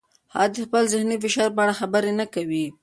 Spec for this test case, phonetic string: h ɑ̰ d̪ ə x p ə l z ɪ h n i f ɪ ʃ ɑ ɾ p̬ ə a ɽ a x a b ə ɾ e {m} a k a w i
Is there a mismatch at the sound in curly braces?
yes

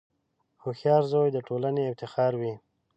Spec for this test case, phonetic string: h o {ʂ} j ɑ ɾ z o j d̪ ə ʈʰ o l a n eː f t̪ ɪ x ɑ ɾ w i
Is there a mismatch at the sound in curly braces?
yes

